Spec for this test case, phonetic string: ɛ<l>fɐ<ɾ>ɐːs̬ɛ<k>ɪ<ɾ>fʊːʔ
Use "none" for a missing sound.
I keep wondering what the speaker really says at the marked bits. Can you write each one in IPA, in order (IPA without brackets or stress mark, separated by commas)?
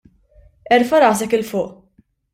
ɾ, ɾ, k, l